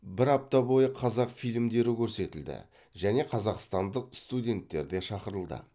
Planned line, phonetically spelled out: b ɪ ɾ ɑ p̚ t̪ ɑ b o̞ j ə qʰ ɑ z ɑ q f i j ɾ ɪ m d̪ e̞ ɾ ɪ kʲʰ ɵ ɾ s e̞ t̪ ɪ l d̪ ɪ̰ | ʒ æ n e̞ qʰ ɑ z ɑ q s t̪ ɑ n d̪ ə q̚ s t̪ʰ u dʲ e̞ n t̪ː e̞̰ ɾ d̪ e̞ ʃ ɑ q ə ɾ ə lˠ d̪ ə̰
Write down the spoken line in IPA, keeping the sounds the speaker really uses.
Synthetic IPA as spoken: b ɪ ɾ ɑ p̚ t̪ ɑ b o̞ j ə qʰ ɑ z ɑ q f i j l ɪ m d̪ e̞ ɾ ɪ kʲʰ ɵ ɾ s e̞ t̪ ɪ l d̪ ɪ̰ | ʒ æ n e̞ qʰ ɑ z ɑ q s t̪ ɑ n d̪ ə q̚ s t̪ u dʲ e̞ n t̪ː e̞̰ ɾ d̪ e̞ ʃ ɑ q ə ɾ ə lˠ d̪ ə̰